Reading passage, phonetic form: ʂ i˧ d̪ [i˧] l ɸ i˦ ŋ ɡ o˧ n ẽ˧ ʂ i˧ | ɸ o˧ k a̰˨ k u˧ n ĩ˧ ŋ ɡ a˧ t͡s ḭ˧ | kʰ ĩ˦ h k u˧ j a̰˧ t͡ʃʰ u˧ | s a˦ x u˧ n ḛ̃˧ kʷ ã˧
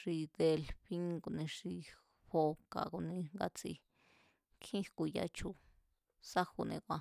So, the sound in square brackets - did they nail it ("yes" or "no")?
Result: no